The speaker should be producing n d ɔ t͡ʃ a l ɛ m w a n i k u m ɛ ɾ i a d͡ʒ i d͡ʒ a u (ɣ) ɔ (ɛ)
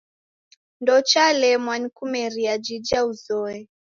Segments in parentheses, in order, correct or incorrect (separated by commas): incorrect, correct